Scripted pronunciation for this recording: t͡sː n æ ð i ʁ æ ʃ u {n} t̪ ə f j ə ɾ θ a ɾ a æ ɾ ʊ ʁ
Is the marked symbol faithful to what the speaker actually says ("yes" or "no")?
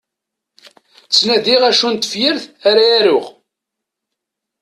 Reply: yes